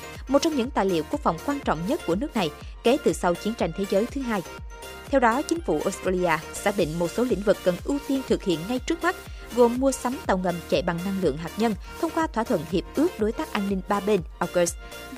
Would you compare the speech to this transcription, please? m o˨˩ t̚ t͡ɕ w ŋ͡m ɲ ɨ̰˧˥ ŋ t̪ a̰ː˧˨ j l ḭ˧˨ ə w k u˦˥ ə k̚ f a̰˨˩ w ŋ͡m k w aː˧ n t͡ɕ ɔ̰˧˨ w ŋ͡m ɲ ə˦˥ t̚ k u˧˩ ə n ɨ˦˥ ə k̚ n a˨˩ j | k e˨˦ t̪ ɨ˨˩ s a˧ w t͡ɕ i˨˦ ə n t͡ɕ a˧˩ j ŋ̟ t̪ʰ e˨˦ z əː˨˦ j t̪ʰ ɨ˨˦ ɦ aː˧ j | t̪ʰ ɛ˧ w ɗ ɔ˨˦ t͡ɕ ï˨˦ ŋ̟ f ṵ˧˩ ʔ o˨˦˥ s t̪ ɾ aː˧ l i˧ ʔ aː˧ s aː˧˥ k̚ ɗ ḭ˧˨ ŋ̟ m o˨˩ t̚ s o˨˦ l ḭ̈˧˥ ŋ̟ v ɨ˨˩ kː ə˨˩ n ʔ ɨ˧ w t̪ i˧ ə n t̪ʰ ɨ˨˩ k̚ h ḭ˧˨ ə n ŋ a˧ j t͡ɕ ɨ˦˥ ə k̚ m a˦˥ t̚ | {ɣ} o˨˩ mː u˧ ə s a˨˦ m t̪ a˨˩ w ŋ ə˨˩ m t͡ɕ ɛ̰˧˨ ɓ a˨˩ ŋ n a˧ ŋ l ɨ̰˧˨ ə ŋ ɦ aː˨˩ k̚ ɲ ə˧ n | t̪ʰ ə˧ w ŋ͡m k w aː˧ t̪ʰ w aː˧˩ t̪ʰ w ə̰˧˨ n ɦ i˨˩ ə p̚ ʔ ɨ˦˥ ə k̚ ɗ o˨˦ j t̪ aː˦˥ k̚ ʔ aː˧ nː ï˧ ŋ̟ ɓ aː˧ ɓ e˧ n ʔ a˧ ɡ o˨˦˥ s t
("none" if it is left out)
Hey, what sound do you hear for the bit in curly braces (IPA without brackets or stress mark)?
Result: ɣ